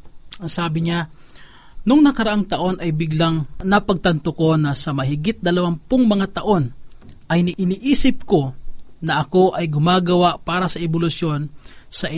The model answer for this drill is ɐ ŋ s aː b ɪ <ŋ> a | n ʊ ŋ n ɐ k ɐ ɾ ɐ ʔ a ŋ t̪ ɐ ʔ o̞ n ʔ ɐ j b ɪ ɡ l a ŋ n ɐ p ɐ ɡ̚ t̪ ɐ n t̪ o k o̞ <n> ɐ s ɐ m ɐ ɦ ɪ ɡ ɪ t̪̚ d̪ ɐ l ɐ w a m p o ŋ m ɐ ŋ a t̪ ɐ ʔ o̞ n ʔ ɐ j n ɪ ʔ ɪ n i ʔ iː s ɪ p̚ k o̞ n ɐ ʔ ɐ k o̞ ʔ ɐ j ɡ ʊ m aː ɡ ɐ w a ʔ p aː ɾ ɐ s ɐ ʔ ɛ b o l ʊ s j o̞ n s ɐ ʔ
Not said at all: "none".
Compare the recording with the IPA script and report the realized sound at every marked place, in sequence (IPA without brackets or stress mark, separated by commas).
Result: ɲ, n